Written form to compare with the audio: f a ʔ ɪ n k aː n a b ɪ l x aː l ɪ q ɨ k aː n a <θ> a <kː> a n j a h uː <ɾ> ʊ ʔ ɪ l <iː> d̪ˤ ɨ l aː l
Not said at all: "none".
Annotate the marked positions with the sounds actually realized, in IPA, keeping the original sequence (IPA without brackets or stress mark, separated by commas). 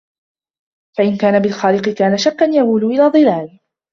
ʃ, kː, l, aː